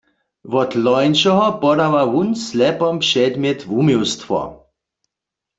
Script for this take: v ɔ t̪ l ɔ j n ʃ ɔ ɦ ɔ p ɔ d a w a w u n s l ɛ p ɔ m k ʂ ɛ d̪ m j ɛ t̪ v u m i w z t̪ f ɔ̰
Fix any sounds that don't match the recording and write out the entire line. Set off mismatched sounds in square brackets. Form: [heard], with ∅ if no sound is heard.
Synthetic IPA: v ɔ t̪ l ɔ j n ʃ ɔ ɦ ɔ p ɔ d a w a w u n s l ɛ p ɔ m [p] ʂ ɛ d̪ m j ɛ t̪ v u m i w [s] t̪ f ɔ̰